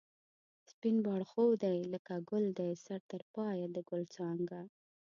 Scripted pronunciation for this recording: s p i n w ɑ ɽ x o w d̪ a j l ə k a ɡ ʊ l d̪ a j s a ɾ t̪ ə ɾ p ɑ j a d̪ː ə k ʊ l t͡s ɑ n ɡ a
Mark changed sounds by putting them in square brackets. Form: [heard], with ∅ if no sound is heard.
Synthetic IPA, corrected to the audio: s p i n [b] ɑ ɽ x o w d̪ a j l ə k a ɡ ʊ l d̪ a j s a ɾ t̪ ə ɾ p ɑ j a [d̪] ə [ɡ] ʊ l t͡s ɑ [ŋ] ɡ a